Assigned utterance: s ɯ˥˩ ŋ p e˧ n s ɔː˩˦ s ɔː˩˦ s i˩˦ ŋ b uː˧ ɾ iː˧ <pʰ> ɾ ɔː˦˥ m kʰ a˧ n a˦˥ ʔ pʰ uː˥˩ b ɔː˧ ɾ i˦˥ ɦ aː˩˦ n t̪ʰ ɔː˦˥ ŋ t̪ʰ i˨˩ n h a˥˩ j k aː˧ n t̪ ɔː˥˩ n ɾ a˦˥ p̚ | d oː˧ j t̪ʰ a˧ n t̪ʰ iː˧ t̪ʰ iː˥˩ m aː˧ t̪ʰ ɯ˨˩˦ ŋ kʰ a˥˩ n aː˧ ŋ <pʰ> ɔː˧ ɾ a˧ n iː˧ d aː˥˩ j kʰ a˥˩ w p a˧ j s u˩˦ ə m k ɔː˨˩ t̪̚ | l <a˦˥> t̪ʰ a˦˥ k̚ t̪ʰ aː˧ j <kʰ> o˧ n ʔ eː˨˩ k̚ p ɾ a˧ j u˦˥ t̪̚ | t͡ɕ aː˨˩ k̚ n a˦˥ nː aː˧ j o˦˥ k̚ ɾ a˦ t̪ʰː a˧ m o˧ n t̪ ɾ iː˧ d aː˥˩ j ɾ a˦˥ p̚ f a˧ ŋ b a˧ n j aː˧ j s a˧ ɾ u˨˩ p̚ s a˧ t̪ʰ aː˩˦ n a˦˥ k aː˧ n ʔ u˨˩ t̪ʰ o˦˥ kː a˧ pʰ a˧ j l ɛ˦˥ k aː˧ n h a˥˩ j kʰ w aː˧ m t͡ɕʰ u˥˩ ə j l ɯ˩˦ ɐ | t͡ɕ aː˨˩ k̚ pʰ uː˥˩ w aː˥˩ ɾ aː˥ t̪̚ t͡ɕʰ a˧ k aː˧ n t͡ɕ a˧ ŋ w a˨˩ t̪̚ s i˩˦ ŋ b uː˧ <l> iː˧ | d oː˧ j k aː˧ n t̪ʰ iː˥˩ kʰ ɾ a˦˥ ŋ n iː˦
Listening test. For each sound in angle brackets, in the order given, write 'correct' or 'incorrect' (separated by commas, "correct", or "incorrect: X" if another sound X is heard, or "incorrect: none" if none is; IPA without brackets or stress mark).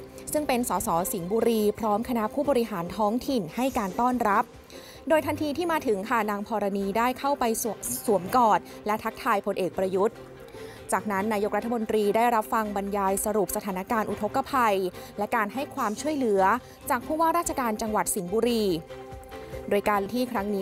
correct, correct, incorrect: ɛ˦˥, incorrect: pʰ, incorrect: ɾ